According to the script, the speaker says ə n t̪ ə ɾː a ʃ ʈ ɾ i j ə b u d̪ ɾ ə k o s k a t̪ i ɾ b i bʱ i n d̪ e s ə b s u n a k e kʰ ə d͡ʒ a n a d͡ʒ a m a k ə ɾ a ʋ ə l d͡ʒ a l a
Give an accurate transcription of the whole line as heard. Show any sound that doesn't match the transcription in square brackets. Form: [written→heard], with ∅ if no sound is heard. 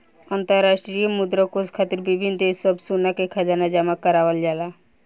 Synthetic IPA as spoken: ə n t̪ ə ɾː a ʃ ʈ ɾ i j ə [b→m] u d̪ ɾ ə k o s [k→kʰ] a t̪ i ɾ b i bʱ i n d̪ e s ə b s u n a k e kʰ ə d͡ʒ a n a d͡ʒ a m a k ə ɾ a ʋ ə l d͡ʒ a l a